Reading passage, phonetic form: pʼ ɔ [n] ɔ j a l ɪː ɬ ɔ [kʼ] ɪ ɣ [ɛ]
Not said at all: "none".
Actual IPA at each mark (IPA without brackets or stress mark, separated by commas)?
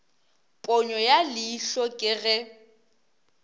ɲ, kʼ, ɛ